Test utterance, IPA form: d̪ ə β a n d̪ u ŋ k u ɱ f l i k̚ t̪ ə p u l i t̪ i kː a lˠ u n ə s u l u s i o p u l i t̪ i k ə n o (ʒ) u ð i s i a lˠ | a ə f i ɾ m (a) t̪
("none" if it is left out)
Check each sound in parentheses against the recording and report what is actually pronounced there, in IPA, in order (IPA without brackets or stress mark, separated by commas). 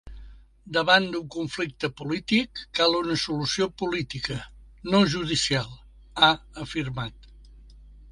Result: ʒ, a